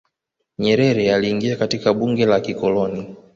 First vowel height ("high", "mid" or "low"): mid